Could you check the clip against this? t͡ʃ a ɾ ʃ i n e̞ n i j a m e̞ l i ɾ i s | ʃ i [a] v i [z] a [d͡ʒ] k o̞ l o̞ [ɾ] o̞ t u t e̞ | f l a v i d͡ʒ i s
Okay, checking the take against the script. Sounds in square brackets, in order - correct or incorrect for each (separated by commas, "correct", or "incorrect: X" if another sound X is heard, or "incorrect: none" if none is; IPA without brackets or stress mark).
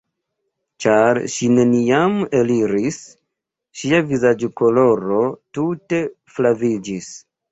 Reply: correct, correct, correct, correct